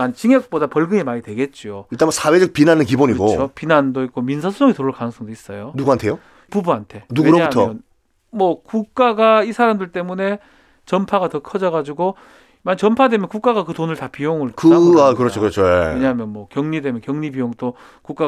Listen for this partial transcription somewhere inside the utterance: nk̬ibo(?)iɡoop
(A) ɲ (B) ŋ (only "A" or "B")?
A